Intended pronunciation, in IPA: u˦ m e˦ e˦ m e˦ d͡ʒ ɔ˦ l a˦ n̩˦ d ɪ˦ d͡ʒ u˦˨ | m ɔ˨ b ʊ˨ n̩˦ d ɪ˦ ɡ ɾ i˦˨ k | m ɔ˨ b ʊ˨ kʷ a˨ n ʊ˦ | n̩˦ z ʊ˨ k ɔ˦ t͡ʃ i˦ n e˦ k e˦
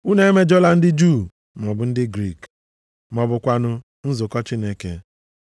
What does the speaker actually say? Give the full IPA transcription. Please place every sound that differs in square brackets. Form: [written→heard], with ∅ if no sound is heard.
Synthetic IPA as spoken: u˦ [m→n] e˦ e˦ m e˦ d͡ʒ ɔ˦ l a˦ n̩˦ d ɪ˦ d͡ʒ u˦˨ | m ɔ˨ b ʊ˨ n̩˦ d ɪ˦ ɡ ɾ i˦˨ k | m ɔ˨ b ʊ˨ kʷ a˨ n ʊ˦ | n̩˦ z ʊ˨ k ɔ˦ t͡ʃ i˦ n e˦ k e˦